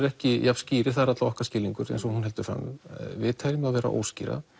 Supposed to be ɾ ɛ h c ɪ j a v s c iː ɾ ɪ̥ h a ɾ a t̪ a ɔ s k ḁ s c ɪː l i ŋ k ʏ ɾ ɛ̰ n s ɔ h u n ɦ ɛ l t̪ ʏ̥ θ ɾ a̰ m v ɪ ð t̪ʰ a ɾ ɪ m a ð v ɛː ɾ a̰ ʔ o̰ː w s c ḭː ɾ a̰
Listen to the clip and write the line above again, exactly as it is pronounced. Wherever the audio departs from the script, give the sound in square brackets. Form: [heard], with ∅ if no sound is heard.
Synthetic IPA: ɾ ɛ h c ɪ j a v s c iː ɾ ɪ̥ [θ] a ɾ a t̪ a ɔ [h] k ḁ s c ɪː l i ŋ k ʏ ɾ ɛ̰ n s ɔ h u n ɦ ɛ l t̪ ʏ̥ [f] ɾ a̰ m v ɪ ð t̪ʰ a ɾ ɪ m a ð v ɛː ɾ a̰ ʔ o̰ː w s c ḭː ɾ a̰